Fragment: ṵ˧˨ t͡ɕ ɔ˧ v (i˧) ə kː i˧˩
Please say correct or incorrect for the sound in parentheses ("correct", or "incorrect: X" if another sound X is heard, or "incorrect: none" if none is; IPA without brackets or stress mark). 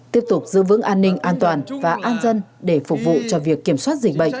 incorrect: i˨˩